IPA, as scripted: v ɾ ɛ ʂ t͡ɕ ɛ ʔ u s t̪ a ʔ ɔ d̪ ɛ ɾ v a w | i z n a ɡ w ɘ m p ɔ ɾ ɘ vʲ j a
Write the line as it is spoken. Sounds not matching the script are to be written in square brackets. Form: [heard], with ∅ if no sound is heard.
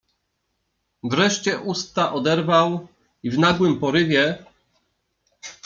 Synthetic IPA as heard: v ɾ ɛ ʂ t͡ɕ ɛ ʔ u s t̪ a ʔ ɔ d̪ ɛ ɾ v a w | i [v] n a ɡ w ɘ m p ɔ ɾ ɘ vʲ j [ɛ]